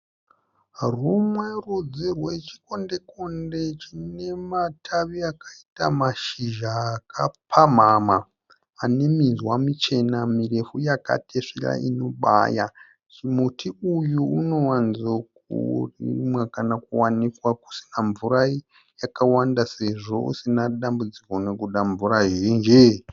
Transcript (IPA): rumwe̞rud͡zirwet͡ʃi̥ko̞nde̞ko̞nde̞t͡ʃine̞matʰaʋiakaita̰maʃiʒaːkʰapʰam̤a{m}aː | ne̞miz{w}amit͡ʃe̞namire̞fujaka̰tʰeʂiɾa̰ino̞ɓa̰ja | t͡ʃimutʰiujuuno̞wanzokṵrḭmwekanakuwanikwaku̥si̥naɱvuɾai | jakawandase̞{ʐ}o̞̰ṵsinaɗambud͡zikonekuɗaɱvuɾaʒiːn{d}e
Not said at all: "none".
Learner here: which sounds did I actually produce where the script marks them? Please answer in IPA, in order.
m, w, ʐ, d͡ʒ

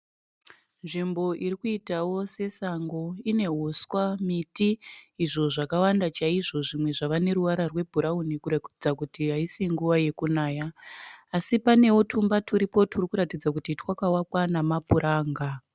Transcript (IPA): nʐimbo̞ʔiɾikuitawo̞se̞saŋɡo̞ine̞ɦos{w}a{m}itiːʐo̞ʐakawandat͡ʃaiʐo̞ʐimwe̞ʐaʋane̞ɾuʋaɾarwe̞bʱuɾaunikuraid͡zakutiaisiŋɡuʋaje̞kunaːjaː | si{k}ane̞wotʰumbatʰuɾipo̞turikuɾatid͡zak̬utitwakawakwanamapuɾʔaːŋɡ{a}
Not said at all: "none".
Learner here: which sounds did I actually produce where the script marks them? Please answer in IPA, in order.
w, m, p, a

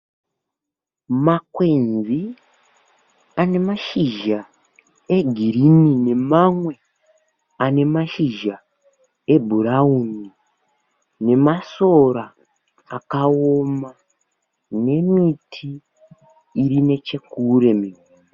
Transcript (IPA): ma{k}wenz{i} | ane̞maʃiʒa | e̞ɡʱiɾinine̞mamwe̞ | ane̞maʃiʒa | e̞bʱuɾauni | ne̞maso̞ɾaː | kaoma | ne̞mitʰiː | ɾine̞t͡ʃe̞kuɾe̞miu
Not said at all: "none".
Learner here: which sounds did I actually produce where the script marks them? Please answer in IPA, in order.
k, i

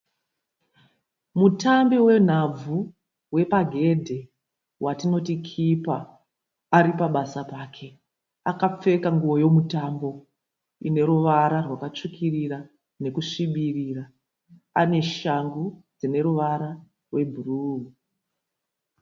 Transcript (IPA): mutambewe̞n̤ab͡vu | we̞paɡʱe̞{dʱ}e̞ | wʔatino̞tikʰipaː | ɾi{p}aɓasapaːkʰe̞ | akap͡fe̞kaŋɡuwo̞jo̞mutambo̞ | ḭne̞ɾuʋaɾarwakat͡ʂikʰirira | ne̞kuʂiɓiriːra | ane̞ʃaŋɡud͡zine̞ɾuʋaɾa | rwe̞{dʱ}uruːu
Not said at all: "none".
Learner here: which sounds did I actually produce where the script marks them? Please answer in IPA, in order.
dʱ, p, bʱ

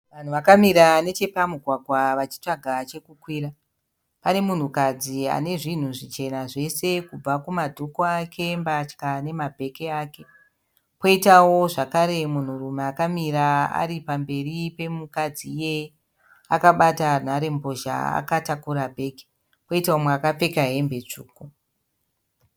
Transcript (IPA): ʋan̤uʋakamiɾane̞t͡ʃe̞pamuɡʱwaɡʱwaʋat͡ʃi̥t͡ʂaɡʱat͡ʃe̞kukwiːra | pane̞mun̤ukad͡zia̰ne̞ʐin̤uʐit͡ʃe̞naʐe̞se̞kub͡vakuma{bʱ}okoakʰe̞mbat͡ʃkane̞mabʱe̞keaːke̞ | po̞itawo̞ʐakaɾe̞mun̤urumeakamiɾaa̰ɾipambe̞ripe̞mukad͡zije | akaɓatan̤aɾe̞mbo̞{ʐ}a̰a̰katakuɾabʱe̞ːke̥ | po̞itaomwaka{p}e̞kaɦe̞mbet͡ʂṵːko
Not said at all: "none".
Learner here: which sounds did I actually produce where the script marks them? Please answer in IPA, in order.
dʱ, ʒ, p͡f

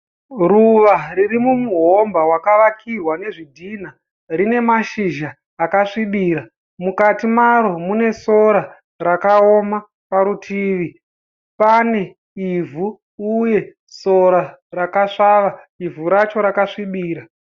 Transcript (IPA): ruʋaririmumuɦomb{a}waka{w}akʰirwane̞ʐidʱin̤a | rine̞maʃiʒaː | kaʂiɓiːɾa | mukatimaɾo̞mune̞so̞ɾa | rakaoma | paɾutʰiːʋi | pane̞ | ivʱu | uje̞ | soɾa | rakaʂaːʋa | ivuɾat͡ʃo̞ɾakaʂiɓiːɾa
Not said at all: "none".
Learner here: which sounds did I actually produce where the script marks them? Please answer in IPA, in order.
a, ʋ

